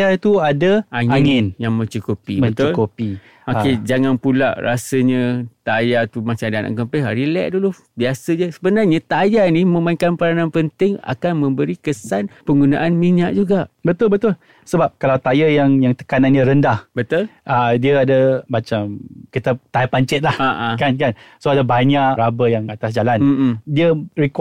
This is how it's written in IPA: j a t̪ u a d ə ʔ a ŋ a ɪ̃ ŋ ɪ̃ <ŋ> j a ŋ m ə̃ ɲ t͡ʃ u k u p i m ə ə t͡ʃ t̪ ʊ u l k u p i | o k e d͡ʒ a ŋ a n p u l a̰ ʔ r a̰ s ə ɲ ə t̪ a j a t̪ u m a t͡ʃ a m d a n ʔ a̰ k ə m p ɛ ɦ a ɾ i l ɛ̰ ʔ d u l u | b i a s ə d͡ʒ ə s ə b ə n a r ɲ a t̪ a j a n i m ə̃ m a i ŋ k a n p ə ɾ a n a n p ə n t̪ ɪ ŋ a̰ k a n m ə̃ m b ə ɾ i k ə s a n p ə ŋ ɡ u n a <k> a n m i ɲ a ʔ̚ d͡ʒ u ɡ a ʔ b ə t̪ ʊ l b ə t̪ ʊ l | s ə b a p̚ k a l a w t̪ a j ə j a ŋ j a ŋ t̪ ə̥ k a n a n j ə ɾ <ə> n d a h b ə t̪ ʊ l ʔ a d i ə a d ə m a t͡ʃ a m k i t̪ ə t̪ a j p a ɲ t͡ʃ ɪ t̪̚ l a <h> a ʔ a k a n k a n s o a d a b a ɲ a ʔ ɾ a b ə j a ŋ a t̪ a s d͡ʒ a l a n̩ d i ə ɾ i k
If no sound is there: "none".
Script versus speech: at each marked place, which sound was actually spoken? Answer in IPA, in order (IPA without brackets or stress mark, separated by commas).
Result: n, ʔ, ə, h